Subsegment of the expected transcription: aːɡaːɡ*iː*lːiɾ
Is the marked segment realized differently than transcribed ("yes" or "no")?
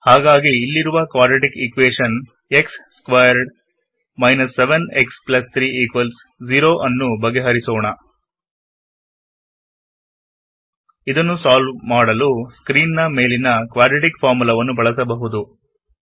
no